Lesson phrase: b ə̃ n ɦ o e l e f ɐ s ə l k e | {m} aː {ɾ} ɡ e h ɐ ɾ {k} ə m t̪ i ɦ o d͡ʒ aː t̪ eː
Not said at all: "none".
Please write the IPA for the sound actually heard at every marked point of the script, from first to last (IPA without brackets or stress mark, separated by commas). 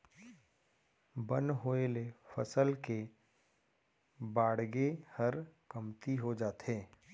b, ɽ, k